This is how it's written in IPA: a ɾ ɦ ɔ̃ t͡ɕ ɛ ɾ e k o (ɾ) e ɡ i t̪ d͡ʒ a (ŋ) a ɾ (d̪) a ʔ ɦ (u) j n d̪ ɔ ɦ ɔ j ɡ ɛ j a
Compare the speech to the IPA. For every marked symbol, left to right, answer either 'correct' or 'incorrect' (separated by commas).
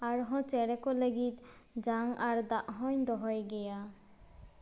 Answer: incorrect, correct, correct, incorrect